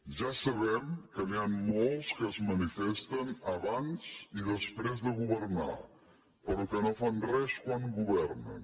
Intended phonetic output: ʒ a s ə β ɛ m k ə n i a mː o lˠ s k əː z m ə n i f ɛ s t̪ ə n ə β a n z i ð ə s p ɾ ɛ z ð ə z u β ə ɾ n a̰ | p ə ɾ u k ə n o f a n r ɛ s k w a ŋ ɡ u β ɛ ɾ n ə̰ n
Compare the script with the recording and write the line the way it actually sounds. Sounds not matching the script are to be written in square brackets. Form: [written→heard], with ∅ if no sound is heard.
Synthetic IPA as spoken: ʒ a s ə β ɛ m k ə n i a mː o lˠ s k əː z m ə n i f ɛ s t̪ ə n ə β a n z i ð ə s p ɾ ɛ z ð ə [z→ɣ] u β ə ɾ n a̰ | p ə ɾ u k ə n o f a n r ɛ s k w a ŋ ɡ u β ɛ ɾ n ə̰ n